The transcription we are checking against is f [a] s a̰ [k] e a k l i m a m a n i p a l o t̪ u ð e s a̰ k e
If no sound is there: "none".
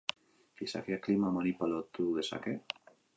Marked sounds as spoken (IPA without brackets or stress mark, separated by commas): i, k